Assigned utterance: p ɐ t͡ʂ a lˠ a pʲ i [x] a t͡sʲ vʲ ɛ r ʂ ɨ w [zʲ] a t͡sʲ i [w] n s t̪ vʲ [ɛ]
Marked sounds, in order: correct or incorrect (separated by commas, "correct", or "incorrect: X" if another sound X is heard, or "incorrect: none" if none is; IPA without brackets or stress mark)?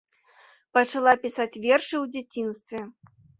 incorrect: s, incorrect: d͡zʲ, incorrect: none, correct